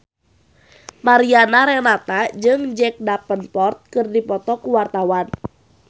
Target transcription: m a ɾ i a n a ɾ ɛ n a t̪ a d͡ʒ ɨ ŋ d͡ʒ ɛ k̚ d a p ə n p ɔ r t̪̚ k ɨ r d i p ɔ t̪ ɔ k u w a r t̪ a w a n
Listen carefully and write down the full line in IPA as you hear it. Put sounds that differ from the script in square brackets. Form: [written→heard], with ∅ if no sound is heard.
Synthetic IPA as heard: m a ɾ i a n a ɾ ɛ n a t̪ a d͡ʒ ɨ ŋ d͡ʒ ɛ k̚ d a p ə n p ɔ r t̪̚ k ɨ r d i p ɔ t̪ ɔ k u w a r t̪ a w a n